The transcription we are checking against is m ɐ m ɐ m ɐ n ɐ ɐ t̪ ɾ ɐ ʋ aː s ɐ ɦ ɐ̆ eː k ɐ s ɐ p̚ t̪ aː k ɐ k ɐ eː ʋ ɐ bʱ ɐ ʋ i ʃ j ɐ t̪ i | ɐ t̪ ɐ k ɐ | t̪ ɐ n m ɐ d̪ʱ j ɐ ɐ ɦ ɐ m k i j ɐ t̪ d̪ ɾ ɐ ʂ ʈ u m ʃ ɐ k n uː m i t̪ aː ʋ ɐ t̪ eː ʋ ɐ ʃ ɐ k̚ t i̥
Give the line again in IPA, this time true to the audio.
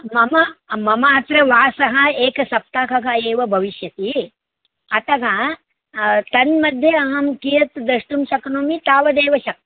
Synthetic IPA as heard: m ɐ m ɐ m ɐ m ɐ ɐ t̪ ɾ ɐ ʋ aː s ɐ ɦ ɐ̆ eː k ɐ s ɐ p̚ t̪ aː k ɐ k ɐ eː ʋ ɐ bʱ ɐ ʋ i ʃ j ɐ t̪ i | ɐ t̪ ɐ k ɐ | t̪ ɐ n m ɐ d̪ʱ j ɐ ɐ ɦ ɐ m k i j ɐ t̪ d̪ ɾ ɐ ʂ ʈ u m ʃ ɐ k n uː m i t̪ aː ʋ ɐ d̪ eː ʋ ɐ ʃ ɐ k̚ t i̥